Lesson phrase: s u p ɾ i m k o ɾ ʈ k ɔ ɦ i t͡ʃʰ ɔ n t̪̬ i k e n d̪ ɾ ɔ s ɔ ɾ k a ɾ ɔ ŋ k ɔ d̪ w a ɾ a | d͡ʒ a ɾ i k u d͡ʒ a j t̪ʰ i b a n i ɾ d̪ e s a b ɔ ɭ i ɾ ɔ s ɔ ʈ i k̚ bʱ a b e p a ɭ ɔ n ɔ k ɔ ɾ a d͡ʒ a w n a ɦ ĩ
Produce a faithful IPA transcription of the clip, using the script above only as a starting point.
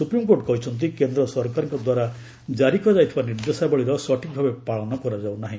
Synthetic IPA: s u p ɾ i m k o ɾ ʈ k ɔ ɦ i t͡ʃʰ ɔ n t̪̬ i k e n d̪ ɾ ɔ s ɔ ɾ k a ɾ ɔ ŋ k ɔ d̪ w a ɾ a | d͡ʒ a ɾ i k ɔ d͡ʒ a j t̪ʰ i b a n i ɾ d̪ e s a b ɔ ɭ i ɾ ɔ s ɔ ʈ i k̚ bʱ a b e p a ɭ ɔ n ɔ k ɔ ɾ a d͡ʒ a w n a ɦ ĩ